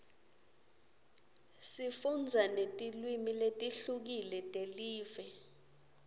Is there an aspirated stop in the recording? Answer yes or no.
no